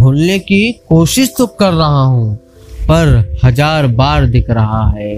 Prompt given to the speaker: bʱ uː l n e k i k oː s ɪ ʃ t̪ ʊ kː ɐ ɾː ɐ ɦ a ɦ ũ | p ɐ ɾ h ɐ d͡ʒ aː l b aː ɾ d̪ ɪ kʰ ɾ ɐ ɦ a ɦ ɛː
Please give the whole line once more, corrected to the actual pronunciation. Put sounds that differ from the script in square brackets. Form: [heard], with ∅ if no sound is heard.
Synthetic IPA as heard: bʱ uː l n e k i k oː [ʃ] ɪ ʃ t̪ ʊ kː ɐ ɾː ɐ ɦ a ɦ ũ | p ɐ ɾ h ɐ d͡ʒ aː [ɾ] b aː ɾ d̪ ɪ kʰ ɾ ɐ ɦ a ɦ ɛː